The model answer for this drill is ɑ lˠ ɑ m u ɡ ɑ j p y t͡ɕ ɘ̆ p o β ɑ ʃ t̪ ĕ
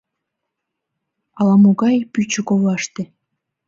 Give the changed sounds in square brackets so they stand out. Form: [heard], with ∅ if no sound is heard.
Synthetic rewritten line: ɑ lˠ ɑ m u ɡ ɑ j p y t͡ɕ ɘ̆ [k] o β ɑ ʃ t̪ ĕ